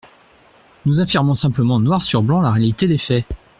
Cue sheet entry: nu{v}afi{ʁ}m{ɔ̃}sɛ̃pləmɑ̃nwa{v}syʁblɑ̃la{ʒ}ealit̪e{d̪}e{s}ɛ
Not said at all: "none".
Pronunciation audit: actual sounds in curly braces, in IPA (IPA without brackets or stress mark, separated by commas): z, ʁ, ɔ̃, ʁ, ʁ, d̪, f